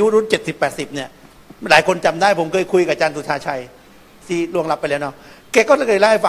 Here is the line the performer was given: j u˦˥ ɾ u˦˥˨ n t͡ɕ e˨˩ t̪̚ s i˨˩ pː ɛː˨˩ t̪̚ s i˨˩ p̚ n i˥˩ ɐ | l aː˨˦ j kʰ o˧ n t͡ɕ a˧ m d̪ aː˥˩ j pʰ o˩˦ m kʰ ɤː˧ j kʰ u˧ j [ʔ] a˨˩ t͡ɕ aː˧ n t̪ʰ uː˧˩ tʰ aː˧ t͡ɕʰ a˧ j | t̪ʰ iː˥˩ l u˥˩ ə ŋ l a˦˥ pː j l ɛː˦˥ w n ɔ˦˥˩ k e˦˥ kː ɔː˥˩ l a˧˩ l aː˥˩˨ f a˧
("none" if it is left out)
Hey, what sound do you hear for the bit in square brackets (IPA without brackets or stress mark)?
k